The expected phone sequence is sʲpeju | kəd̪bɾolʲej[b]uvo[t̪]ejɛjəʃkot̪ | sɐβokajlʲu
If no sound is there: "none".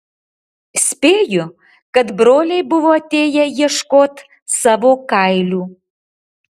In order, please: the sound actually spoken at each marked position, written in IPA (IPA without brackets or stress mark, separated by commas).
b, t̪